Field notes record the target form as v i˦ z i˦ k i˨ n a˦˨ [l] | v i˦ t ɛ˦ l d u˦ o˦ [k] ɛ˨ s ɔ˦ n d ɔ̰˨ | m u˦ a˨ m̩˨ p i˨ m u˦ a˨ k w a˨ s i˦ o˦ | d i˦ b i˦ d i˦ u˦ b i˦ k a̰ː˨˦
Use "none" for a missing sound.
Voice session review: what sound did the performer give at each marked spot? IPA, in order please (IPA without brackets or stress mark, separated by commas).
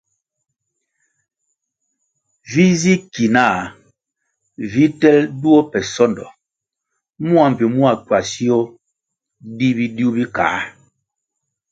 none, p